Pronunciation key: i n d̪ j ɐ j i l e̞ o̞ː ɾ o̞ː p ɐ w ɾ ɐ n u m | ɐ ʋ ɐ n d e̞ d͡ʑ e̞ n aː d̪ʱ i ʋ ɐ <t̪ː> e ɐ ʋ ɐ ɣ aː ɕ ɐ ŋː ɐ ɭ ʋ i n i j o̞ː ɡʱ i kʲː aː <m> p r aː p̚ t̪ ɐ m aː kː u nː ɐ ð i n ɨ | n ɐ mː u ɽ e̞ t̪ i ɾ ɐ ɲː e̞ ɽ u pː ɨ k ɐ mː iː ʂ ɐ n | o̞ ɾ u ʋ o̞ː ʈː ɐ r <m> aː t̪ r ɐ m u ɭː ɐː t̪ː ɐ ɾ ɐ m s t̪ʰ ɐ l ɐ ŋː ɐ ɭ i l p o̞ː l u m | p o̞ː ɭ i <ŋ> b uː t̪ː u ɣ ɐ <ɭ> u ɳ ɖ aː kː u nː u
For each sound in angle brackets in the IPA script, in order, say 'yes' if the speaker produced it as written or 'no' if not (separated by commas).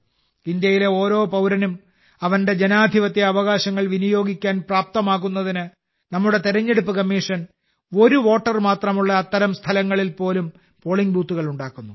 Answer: yes, no, yes, yes, yes